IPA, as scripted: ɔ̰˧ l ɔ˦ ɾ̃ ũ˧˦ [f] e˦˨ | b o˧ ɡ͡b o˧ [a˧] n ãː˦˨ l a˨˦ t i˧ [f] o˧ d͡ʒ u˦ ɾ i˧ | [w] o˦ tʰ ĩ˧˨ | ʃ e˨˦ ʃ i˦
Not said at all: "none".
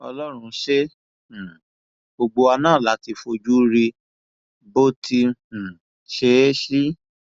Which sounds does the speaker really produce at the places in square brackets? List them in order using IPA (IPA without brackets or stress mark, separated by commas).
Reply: ʃ, a˧, f, b